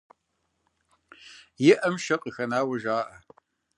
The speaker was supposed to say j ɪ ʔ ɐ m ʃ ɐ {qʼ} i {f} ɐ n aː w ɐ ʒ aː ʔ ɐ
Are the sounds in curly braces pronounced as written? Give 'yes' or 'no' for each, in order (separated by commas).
yes, no